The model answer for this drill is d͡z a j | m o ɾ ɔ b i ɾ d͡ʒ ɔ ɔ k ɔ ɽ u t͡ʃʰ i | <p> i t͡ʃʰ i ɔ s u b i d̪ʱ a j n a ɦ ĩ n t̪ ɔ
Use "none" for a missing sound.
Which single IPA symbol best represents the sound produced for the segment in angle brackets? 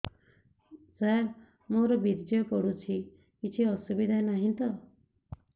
k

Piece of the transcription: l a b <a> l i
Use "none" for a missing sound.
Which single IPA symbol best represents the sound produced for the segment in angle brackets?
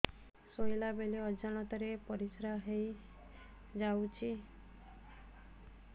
e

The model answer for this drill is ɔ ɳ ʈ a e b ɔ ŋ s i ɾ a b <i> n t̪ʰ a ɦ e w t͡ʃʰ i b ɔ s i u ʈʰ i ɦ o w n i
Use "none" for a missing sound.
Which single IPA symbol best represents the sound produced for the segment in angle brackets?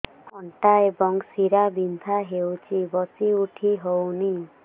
i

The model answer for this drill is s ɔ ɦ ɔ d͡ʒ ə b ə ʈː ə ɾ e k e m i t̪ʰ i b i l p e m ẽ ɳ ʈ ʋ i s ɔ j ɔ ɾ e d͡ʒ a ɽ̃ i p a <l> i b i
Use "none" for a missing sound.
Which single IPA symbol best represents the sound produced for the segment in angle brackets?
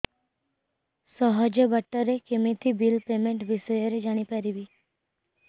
ɾ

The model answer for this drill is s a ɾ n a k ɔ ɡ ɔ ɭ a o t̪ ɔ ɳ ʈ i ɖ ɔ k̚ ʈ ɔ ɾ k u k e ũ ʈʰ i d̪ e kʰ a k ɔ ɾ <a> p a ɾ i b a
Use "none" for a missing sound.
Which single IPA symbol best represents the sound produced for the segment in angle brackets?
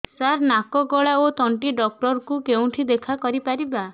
i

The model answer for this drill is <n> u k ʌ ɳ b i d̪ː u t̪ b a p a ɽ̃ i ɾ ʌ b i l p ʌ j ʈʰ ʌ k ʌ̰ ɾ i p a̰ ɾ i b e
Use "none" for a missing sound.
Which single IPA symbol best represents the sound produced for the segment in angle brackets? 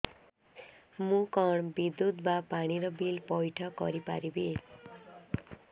m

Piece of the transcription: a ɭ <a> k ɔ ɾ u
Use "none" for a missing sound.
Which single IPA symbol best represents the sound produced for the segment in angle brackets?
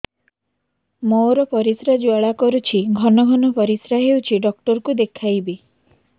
a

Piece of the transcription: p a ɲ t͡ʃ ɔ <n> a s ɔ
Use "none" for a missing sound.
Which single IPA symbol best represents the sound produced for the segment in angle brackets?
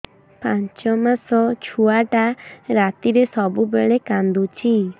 m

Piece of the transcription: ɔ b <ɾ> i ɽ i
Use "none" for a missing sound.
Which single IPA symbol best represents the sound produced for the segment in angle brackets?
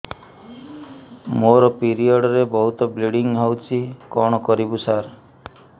l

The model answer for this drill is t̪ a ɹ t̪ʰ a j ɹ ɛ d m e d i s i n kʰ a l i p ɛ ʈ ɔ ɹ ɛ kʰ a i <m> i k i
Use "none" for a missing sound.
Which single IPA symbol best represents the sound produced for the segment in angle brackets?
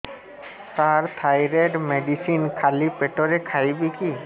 b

